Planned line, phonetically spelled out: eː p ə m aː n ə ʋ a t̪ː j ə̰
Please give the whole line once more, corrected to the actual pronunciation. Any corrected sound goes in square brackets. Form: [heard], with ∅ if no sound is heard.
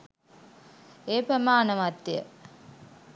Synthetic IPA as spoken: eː p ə m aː n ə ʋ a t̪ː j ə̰